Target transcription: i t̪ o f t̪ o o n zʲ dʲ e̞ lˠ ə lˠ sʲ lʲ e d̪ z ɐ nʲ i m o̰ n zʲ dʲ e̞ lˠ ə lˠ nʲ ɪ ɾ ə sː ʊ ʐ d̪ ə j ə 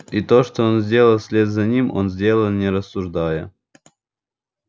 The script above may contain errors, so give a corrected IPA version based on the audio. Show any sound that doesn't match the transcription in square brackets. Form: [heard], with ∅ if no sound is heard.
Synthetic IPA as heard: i t̪ o [ʂ] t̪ o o n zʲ dʲ e̞ lˠ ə lˠ sʲ lʲ e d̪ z ɐ nʲ i m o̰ n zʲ dʲ e̞ lˠ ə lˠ nʲ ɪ ɾ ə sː ʊ ʐ d̪ [a] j ə